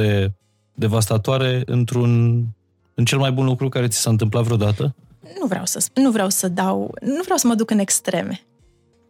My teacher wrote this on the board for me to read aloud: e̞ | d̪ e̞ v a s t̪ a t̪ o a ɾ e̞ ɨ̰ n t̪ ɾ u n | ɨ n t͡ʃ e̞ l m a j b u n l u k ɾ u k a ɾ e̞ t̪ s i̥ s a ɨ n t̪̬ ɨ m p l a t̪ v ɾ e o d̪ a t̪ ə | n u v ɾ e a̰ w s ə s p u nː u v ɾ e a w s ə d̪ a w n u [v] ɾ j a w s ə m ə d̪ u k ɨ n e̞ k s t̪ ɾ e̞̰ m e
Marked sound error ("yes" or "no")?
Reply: no